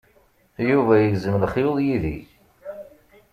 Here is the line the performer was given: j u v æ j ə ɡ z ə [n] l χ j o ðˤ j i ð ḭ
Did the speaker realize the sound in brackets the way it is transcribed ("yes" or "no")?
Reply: no